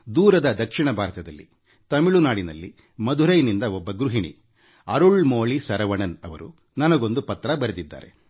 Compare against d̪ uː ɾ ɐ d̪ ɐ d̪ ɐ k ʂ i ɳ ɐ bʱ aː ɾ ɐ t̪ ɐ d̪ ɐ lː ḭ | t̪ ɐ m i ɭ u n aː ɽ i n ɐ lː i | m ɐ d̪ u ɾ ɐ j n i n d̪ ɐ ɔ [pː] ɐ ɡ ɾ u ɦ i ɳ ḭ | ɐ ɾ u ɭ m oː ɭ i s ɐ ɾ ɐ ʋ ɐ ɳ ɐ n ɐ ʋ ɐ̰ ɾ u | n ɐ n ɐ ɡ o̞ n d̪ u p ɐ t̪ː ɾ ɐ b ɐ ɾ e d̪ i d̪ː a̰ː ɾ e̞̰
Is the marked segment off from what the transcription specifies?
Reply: yes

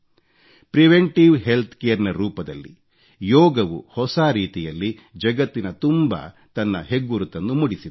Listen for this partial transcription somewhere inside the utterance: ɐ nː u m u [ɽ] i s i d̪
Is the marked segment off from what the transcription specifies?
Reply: no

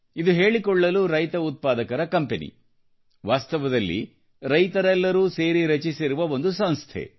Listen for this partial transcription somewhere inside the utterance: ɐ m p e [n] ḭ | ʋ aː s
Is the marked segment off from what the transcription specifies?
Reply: no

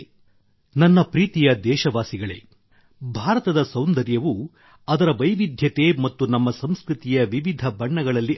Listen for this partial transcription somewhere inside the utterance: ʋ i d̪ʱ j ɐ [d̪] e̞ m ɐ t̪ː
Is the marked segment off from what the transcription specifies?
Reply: yes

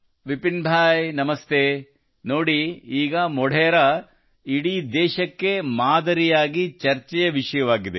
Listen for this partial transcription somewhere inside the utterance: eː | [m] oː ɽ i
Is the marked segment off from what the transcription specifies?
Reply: yes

